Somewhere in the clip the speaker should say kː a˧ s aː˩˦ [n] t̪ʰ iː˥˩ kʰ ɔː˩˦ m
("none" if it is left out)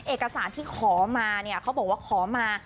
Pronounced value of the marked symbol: n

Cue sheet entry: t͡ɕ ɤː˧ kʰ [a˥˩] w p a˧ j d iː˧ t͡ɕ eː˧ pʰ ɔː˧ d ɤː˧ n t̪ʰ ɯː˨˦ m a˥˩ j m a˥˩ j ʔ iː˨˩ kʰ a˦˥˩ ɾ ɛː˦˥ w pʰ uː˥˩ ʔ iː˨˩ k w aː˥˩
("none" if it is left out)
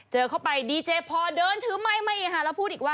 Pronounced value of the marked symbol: a˥˩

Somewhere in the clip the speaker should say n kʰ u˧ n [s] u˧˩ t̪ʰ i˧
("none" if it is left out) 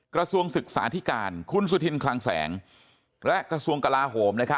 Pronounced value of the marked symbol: s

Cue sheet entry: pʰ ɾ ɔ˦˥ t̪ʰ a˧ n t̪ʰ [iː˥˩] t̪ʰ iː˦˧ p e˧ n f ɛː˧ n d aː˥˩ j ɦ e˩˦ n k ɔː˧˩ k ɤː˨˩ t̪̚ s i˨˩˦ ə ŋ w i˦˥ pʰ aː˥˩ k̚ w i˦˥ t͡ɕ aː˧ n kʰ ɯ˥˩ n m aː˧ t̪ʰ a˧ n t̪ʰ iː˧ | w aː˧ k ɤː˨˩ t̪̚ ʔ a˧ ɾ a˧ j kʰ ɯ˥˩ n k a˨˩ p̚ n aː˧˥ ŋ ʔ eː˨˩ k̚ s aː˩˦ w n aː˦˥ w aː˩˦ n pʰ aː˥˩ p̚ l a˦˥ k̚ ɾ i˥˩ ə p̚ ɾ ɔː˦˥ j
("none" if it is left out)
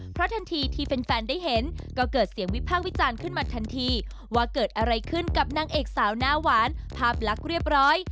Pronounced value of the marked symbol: iː˧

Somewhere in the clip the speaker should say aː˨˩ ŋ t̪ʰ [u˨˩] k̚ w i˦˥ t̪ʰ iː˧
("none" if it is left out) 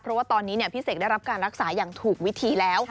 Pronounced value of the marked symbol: uː˨˩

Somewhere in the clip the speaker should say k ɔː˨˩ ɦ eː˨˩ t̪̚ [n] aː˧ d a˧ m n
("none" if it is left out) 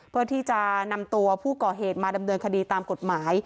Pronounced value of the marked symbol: m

